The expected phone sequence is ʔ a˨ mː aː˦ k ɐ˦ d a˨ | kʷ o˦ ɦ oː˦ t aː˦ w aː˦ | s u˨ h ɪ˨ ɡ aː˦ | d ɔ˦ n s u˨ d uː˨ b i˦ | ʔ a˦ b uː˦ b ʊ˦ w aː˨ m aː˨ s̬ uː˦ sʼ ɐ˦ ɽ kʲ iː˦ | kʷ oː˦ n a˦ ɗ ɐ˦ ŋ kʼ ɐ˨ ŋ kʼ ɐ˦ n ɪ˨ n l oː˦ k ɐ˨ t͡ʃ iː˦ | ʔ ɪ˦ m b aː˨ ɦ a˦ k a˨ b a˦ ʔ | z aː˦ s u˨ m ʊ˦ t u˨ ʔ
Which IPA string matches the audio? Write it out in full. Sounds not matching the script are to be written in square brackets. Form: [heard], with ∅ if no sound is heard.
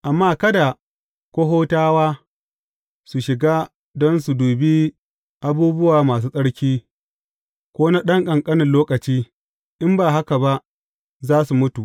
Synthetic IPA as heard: ʔ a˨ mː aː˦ k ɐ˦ d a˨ | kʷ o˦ ɦ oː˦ t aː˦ w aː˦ | s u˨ [ʃ] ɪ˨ ɡ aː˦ | d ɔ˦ n s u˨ d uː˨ b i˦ | ʔ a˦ b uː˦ b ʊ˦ w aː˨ m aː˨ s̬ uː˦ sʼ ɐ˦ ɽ kʲ iː˦ | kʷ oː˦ n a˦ ɗ ɐ˦ ŋ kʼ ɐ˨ ŋ kʼ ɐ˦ n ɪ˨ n l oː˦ k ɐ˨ t͡ʃ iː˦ | ʔ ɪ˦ m b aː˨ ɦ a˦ k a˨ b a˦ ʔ | z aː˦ s u˨ m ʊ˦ t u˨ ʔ